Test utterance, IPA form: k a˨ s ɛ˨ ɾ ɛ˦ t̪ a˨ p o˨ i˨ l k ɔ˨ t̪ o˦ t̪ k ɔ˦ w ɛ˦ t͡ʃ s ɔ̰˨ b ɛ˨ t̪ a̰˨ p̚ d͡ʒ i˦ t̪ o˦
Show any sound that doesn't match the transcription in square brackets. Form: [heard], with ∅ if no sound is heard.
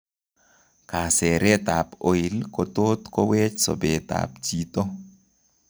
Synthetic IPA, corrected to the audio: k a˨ s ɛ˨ ɾ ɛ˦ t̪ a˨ p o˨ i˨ l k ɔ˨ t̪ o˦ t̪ k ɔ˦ w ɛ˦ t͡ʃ s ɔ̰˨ b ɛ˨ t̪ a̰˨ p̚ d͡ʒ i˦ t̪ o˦